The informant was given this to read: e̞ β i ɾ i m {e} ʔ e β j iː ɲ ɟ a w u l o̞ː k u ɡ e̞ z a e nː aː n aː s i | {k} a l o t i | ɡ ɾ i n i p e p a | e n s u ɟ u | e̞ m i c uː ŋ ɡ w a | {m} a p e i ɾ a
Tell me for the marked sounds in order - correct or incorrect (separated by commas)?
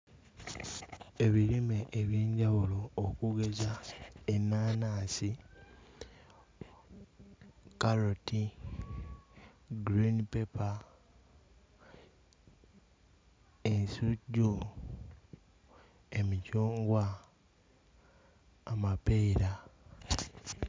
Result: correct, correct, correct